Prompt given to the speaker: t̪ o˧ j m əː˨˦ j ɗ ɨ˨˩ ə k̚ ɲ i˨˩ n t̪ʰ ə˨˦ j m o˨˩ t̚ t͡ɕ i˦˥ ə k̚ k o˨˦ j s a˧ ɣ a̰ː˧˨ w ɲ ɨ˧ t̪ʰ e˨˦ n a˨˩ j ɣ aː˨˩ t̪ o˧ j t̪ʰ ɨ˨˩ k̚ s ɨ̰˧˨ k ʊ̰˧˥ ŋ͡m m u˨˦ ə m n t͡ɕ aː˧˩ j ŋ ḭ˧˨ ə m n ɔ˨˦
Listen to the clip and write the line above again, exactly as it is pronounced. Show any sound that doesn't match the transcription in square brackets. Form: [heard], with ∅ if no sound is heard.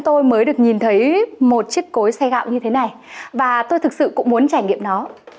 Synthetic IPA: t̪ o˧ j m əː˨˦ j ɗ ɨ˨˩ ə k̚ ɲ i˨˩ n t̪ʰ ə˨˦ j m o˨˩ t̚ t͡ɕ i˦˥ ə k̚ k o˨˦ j s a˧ ɣ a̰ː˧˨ w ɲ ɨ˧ t̪ʰ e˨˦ n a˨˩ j [v] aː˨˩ t̪ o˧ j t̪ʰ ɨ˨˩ k̚ s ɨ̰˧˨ k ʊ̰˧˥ ŋ͡m m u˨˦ ə [∅] n t͡ɕ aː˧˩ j ŋ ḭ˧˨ ə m n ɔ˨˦